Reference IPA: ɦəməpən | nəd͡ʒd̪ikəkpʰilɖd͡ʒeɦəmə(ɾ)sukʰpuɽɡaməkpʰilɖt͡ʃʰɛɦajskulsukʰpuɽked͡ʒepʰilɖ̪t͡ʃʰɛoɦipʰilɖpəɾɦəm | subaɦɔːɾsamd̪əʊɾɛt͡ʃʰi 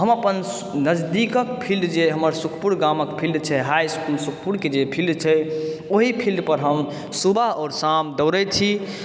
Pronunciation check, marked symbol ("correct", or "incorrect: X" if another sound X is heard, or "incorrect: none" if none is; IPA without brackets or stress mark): correct